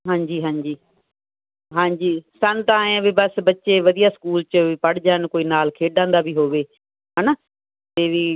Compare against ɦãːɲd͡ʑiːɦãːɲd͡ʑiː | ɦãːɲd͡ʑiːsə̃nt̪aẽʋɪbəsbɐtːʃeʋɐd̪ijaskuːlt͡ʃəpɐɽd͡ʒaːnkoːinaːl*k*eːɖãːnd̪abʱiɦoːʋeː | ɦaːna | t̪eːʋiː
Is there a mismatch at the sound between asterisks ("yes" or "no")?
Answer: yes